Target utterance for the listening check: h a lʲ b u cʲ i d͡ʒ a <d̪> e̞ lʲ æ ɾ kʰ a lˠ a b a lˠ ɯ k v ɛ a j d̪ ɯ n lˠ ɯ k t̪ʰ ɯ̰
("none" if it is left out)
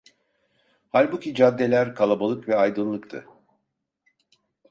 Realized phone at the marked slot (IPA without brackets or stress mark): d̪ː